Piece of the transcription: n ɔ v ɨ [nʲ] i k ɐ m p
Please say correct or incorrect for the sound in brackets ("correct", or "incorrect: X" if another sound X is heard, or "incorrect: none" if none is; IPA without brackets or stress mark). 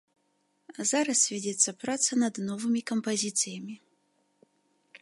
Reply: incorrect: mʲ